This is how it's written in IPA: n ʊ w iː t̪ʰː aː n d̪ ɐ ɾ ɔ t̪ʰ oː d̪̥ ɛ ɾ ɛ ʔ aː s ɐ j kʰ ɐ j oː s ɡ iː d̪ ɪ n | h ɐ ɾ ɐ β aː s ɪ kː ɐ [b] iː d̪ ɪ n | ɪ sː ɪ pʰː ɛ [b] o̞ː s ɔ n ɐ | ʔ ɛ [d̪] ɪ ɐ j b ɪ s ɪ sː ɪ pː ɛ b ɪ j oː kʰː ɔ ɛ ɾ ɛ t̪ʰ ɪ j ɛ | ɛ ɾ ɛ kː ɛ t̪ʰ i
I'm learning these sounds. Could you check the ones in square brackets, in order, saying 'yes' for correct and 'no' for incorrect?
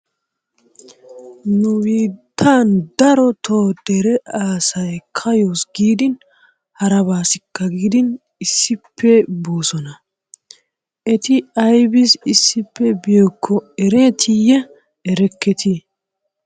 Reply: no, yes, no

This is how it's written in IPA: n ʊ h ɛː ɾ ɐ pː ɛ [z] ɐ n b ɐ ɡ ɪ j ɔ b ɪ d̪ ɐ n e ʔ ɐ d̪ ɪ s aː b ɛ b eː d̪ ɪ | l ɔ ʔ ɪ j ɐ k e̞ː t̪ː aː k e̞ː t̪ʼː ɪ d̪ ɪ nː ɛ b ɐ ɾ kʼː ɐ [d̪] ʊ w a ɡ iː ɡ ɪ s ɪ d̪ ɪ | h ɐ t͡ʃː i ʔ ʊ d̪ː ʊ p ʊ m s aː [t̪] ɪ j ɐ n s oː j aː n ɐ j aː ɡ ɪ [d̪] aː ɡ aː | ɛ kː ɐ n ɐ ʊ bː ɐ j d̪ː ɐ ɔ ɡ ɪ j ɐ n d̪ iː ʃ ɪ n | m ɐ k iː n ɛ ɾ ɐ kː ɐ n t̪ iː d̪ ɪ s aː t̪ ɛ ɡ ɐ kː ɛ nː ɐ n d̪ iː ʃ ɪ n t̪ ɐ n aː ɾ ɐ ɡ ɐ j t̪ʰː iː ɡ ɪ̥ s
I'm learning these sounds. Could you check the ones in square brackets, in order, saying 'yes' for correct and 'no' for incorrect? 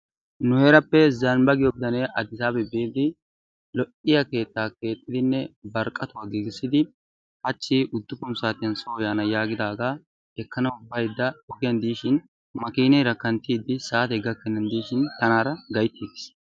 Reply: yes, no, yes, yes

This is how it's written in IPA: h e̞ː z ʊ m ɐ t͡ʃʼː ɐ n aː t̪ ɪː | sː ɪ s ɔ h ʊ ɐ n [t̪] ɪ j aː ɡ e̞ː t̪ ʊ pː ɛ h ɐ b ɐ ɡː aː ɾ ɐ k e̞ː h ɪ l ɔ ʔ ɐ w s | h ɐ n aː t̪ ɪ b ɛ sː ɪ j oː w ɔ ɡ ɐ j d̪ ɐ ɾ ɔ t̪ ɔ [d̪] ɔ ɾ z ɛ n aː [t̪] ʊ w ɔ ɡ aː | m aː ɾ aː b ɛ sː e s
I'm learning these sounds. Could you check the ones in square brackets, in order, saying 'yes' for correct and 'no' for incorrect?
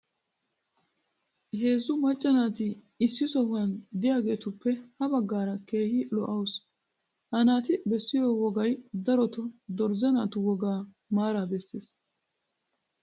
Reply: no, yes, yes

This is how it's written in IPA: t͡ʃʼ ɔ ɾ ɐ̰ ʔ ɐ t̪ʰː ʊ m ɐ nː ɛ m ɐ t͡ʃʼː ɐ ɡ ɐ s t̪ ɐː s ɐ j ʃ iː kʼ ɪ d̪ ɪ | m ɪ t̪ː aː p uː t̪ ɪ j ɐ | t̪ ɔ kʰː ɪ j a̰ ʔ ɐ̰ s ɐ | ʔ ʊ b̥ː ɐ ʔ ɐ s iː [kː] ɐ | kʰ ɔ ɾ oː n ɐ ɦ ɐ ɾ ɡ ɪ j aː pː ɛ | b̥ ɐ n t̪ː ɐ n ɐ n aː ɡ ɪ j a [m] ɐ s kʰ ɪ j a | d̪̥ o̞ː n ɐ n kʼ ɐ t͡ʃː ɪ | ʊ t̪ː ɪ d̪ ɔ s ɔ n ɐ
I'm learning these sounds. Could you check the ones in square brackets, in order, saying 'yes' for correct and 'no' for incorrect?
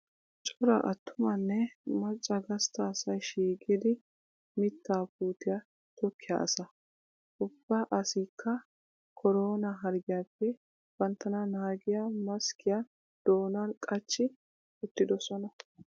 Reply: yes, yes

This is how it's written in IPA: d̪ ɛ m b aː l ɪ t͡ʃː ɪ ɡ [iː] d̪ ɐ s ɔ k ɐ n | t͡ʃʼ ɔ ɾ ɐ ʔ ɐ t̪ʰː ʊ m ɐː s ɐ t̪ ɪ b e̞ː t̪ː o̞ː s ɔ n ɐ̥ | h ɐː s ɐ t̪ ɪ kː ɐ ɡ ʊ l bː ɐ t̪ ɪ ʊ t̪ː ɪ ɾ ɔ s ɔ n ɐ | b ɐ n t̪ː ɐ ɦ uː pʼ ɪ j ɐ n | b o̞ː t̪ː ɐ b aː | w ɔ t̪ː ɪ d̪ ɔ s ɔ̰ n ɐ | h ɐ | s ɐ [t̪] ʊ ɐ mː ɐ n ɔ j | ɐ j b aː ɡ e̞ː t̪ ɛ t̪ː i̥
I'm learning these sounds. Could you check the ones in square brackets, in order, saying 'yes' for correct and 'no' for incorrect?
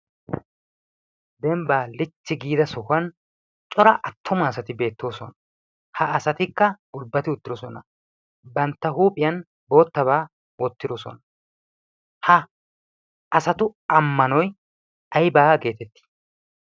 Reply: yes, yes

